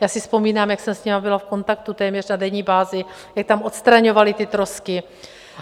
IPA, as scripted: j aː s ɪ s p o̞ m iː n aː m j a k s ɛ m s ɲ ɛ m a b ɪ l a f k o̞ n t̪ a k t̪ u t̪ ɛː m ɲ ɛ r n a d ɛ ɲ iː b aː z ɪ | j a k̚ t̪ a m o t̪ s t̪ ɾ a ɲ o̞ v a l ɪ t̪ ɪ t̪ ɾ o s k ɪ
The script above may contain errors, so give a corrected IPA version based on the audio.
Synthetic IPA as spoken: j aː s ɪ s p o̞ m iː n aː m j a k s ɛ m s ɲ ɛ m a b ɪ l a f k o̞ n t̪ a k t̪ u t̪ ɛː m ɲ ɛ r n a d ɛ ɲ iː b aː z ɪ | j a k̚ t̪ a m o t̪ s t̪ ɾ a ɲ o̞ v a l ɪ t̪ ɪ t̪ ɾ o s k ɪ